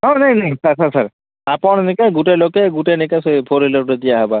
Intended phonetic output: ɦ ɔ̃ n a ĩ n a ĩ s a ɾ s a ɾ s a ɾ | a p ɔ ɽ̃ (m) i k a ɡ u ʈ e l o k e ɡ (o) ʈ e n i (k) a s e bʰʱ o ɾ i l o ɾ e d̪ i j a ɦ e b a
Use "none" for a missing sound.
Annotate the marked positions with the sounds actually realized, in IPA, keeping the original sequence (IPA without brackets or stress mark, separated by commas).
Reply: n, u, k